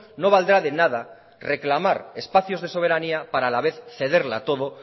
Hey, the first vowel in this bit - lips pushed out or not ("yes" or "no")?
yes